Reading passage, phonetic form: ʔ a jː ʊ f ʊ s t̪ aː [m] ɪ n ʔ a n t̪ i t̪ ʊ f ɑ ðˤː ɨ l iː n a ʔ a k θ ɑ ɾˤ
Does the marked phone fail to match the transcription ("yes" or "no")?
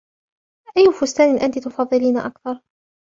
yes